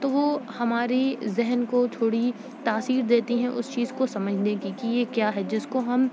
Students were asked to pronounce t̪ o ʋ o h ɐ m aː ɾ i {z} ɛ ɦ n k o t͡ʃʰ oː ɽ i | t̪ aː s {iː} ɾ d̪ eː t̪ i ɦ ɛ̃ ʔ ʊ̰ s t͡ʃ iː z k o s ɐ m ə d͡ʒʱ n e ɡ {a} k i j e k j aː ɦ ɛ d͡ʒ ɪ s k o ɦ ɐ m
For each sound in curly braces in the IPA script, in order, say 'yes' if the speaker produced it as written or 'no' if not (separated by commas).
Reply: yes, yes, no